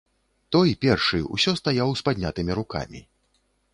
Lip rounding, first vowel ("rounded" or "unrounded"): rounded